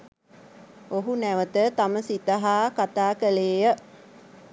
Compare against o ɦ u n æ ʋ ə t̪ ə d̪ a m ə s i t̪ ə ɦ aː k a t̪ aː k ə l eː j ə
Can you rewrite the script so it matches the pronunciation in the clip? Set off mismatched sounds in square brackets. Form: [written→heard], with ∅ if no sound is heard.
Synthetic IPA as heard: o ɦ u n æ ʋ ə t̪ ə [d̪→t̪] a m ə s i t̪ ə ɦ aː k a t̪ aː k ə l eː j ə

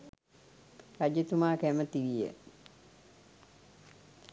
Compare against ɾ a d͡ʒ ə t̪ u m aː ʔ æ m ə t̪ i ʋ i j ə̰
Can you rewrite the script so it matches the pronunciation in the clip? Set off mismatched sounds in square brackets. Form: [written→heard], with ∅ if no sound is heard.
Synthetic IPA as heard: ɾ a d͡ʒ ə t̪ u m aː [ʔ→k] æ m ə t̪ i ʋ i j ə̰

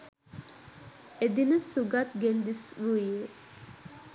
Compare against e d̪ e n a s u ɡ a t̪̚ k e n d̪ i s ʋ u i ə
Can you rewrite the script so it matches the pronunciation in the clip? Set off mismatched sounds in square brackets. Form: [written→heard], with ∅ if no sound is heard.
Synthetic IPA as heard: e d̪ [e→i] n [a→ə] s u ɡ a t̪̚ [k→ɡ] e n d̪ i s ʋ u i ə

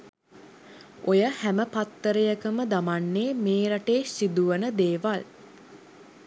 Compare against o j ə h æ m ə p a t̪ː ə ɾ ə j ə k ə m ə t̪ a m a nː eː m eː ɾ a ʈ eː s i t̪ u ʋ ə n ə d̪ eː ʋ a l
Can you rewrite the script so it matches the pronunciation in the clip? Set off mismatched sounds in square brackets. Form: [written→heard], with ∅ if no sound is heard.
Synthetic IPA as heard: o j ə h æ m ə p a t̪ː ə ɾ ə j ə k ə m ə [t̪→d̪] a m a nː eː m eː ɾ a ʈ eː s i [t̪→d̪] u ʋ ə n ə d̪ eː ʋ a l

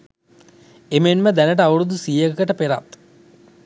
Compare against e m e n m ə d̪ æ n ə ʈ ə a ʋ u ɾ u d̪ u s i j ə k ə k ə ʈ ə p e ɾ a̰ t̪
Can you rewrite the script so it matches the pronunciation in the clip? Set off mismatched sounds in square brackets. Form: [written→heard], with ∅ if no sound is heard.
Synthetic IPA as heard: e m e n m ə d̪ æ n ə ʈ ə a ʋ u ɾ u d̪ u s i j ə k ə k ə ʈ ə p e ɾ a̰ t̪

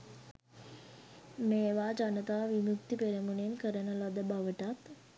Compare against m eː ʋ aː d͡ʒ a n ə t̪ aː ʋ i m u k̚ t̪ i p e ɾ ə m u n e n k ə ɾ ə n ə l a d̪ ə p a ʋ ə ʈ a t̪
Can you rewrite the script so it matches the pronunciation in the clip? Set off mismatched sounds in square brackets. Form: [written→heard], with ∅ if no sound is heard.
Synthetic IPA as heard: m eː ʋ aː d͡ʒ a n ə t̪ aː ʋ i m u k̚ t̪ i p e ɾ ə m u n e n k ə ɾ ə n ə l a d̪ ə [p→b] a ʋ ə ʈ a t̪

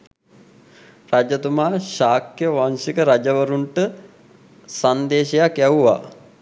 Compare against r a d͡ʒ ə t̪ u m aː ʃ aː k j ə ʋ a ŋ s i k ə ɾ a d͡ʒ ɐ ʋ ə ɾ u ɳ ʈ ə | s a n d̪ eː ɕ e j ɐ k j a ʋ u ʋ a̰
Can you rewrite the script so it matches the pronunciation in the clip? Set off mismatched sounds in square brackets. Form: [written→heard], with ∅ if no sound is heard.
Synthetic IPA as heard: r a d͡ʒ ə t̪ u m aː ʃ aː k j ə ʋ a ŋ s i k ə ɾ a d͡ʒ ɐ ʋ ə ɾ u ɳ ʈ ə | s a n d̪ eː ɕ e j [ɐ→a] k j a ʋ u ʋ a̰

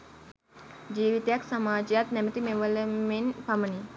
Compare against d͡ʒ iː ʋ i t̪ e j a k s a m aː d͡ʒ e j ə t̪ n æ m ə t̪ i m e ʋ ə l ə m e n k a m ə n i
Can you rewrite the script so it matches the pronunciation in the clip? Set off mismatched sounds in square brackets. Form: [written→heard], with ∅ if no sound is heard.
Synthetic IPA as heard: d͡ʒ iː ʋ i t̪ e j a k s a m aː d͡ʒ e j [ə→a] t̪ n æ m ə t̪ i m e ʋ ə l ə m e n [k→p] a m ə n i

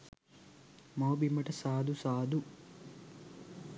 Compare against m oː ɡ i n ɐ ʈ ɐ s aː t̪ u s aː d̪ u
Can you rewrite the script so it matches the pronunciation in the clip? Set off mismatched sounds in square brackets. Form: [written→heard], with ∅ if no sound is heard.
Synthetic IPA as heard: m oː [ɡ→b] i [n→m] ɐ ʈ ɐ s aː [t̪→d̪] u s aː d̪ u

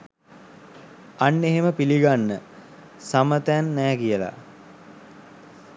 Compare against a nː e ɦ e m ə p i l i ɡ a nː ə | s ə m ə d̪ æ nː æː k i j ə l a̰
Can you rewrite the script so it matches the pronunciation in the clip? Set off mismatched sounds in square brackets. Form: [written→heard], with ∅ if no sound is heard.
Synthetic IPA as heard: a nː e ɦ e m ə p i l i ɡ a nː ə | s [ə→a] m ə [d̪→t̪] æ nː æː k i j ə l a̰

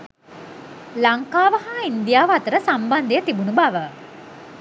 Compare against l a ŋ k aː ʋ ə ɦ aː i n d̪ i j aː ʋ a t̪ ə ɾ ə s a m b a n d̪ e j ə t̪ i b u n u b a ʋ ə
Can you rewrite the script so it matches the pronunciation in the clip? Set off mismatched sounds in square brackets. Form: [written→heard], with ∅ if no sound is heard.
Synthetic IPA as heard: l a ŋ k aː ʋ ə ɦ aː i n d̪ i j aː ʋ a t̪ ə ɾ ə s a m b a n d̪ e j ə t̪ i b u n u b a ʋ ə

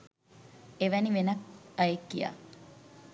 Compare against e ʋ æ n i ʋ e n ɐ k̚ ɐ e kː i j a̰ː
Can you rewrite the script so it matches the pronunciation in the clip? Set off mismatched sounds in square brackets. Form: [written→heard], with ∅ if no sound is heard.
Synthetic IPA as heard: e ʋ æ n i ʋ e n ɐ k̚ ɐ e kː i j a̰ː

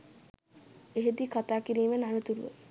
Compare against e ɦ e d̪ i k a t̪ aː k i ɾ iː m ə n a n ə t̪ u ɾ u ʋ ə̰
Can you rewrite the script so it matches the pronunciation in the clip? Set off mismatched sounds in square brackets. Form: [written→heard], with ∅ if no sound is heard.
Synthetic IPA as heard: e ɦ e d̪ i k a t̪ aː k i ɾ iː m ə n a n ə t̪ u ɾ u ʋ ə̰

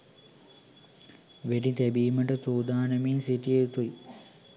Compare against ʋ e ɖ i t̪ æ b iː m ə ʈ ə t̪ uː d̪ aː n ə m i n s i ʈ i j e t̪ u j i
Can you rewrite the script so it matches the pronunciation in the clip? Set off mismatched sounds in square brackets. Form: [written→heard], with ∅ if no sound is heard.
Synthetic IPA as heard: ʋ e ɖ i t̪ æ b iː m ə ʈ ə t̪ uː d̪ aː n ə m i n s i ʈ i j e t̪ u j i

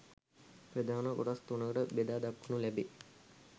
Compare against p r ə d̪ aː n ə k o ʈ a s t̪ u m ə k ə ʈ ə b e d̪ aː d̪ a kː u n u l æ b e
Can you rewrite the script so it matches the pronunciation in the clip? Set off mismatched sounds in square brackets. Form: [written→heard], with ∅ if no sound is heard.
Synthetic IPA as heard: p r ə d̪ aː n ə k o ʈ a s t̪ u [m→n] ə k ə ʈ ə b e d̪ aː d̪ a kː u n u l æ b e

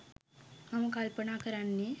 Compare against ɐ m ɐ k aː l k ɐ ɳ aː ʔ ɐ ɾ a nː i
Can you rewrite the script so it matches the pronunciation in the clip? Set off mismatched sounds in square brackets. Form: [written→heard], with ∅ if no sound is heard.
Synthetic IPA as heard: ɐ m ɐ k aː l [k→p] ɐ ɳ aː [ʔ→k] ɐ ɾ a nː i

